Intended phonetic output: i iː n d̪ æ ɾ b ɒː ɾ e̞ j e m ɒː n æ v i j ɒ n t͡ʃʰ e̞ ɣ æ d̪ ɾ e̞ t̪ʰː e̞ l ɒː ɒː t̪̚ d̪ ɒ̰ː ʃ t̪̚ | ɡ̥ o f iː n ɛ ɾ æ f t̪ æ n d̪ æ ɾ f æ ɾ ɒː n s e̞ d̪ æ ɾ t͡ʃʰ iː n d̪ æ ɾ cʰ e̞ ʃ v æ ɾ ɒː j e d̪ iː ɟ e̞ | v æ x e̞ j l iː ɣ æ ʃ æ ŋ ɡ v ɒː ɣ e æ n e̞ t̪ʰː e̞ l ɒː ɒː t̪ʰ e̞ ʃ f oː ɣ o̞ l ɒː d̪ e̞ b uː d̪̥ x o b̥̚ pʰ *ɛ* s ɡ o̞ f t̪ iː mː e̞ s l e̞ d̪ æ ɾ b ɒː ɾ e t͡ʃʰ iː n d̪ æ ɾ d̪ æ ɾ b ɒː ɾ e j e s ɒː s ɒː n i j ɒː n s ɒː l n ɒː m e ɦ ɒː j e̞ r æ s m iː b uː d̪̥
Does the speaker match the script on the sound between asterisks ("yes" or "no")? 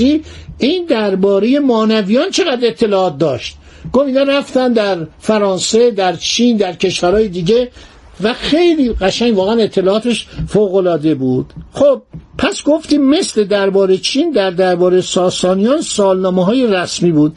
no